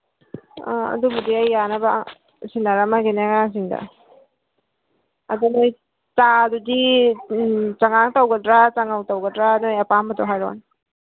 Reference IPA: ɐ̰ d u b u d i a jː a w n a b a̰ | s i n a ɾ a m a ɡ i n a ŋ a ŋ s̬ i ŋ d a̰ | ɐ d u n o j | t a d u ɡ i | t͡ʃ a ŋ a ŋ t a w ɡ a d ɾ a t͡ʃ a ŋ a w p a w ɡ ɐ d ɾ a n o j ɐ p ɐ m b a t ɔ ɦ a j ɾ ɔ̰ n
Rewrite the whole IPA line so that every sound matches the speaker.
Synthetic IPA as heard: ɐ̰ d u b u d i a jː a n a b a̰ | s i n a ɾ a m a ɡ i n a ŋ a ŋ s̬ i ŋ d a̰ | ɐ d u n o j | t a d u d i | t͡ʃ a ŋ a ŋ t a w ɡ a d ɾ a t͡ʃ a ŋ a w t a w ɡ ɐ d ɾ a n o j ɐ p a m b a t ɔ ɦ a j ɾ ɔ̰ n